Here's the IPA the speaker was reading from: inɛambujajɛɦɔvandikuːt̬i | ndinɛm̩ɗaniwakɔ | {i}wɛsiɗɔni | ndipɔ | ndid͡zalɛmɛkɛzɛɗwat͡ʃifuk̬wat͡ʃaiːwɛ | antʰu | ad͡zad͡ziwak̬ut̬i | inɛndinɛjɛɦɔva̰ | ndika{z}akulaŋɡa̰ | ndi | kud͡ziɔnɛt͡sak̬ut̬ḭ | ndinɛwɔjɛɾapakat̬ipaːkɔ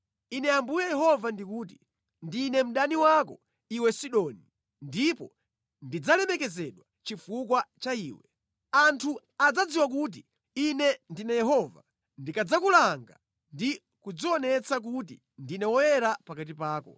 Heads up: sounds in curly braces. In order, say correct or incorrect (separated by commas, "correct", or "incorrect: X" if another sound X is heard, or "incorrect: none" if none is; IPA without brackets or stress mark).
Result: correct, incorrect: d͡z